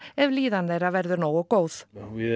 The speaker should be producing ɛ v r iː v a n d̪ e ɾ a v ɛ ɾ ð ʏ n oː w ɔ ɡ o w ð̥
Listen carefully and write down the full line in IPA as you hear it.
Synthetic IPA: ɛ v l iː ð a n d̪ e ɾ a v ɛ ɾ ð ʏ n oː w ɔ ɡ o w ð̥